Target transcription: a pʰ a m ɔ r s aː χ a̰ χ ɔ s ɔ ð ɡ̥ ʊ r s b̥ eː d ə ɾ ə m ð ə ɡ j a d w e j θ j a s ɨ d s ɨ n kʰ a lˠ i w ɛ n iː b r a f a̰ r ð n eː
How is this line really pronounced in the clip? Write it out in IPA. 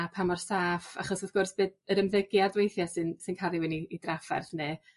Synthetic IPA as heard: a pʰ a m ɔ r s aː f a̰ χ ɔ s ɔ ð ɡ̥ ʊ r s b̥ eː d ə ɾ ə m ð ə ɡ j a d w e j θ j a s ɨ n s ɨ n kʰ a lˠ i w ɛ n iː d r a f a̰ r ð n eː